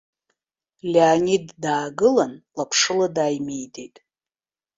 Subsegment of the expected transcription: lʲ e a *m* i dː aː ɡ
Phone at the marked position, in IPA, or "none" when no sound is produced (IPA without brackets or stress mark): n